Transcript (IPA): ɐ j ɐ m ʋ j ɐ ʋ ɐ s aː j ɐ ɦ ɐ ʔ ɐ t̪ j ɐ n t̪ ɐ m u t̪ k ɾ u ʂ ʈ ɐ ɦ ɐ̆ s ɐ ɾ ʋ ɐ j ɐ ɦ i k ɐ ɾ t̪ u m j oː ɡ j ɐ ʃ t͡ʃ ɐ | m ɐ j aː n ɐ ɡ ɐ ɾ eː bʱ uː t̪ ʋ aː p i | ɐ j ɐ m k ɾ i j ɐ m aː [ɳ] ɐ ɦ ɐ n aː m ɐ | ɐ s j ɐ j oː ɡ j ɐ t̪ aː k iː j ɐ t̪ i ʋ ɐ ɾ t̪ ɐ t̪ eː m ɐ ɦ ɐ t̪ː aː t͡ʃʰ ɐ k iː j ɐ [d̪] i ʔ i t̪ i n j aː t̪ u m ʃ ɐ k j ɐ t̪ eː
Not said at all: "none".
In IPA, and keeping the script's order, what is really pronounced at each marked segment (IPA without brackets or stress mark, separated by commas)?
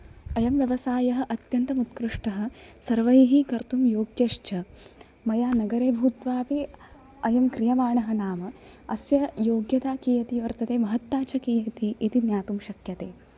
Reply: ɳ, t̪